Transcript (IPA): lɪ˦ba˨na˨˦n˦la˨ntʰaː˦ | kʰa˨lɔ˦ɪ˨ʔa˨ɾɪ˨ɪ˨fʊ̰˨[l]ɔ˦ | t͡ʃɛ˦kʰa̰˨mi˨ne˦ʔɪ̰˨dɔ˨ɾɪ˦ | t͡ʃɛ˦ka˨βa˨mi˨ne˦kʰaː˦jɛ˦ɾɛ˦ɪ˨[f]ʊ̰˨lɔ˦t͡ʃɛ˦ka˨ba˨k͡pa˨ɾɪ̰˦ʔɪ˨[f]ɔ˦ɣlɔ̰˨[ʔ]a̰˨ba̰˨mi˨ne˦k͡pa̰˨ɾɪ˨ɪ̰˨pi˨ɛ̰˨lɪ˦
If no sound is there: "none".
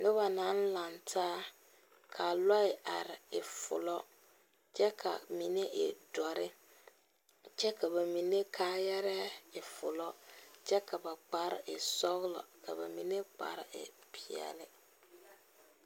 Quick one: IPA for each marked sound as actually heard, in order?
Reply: l, f, s, k

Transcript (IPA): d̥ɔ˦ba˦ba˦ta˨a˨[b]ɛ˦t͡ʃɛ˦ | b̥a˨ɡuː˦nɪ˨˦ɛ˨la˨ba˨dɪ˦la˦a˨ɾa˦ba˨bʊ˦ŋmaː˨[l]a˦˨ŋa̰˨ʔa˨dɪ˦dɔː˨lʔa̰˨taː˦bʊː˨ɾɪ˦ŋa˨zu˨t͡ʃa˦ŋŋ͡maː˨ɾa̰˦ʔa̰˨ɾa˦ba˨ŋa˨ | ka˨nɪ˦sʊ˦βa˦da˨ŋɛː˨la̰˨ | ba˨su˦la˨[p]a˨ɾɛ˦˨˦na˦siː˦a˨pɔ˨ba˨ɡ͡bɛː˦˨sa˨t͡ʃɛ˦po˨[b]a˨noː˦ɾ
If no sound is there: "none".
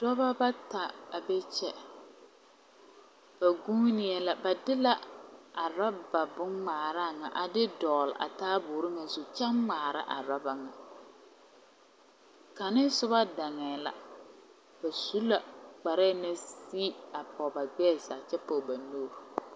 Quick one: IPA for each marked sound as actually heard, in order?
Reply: b, ɾ, k͡p, b

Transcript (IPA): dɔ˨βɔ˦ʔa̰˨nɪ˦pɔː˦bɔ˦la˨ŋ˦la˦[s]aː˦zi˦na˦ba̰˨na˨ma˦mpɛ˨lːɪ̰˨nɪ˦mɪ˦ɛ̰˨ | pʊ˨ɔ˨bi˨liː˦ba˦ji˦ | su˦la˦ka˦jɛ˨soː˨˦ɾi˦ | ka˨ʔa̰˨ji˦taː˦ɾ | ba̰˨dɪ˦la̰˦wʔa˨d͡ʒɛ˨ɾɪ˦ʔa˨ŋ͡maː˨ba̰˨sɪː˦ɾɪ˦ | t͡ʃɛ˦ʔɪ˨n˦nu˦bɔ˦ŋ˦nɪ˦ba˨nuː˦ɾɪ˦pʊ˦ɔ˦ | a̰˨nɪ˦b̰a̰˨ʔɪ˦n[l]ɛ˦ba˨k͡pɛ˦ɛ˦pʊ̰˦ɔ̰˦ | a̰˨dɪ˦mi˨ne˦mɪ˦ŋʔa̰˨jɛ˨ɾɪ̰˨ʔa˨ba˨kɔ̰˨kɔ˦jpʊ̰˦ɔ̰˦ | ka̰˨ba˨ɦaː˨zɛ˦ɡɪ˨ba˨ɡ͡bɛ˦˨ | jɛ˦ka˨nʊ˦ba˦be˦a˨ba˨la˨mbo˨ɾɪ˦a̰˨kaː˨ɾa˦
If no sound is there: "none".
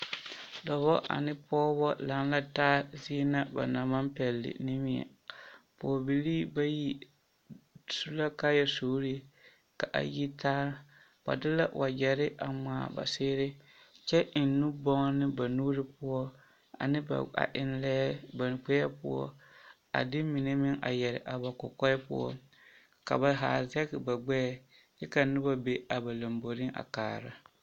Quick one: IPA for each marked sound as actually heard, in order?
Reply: t, l

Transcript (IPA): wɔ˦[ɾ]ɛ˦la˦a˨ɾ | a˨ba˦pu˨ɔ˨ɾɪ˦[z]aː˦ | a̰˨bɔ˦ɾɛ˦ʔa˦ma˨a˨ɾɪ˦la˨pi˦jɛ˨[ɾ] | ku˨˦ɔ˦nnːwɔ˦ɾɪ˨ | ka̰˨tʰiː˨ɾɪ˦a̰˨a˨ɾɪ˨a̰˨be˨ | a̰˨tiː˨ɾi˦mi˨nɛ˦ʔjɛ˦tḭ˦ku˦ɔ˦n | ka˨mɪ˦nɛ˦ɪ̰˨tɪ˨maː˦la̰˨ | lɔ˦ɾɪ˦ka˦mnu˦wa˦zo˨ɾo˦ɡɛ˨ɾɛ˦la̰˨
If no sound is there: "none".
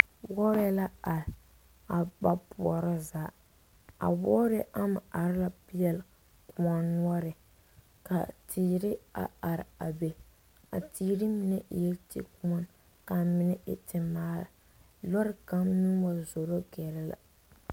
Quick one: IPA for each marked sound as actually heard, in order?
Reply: ɾ, z, l

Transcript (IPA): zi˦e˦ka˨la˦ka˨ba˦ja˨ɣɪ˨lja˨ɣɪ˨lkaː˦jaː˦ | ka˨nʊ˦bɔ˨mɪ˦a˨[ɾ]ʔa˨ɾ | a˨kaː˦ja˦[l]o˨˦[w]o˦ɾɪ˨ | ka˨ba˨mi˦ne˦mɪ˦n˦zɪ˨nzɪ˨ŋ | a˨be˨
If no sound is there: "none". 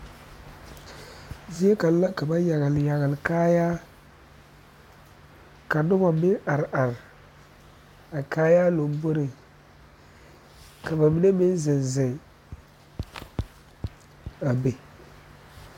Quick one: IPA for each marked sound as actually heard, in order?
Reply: ɾ, l, b

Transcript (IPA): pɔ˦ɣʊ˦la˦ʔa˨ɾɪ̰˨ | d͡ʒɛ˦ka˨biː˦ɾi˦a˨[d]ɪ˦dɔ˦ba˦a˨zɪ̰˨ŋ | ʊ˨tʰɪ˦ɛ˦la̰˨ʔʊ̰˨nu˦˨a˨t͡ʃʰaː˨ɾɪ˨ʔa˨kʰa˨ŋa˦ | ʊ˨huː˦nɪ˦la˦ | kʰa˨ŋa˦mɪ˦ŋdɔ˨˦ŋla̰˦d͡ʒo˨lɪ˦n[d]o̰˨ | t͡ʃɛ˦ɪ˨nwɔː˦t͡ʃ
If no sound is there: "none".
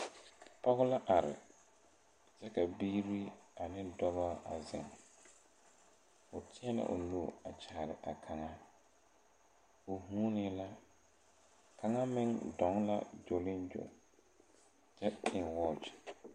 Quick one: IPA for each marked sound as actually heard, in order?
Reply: n, d͡ʒ

